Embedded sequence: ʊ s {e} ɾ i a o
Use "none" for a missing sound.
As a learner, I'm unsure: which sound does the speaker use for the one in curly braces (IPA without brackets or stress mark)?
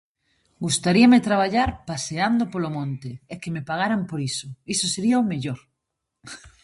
e